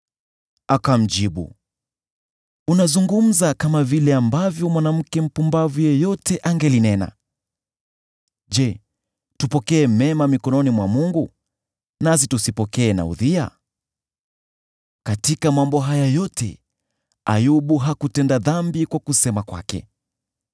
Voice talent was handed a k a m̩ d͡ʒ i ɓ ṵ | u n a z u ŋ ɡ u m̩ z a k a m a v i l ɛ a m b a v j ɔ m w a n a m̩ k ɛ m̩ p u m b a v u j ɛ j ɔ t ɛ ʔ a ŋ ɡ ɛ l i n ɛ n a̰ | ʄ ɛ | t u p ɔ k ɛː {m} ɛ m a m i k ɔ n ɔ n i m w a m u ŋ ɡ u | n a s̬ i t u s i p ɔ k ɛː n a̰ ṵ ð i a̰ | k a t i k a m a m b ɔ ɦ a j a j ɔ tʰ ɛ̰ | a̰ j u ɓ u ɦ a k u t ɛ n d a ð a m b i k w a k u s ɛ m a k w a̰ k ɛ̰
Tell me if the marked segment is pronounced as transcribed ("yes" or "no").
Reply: yes